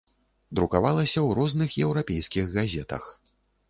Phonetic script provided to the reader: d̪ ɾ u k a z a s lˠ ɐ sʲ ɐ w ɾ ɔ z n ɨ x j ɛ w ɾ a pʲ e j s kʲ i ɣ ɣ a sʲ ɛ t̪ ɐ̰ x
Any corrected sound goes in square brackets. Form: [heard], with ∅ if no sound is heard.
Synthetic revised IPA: d̪ ɾ u k a [v] a [∅] lˠ ɐ sʲ ɐ w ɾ ɔ z n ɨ x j ɛ w ɾ a pʲ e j s kʲ i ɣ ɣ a [zʲ] ɛ t̪ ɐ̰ x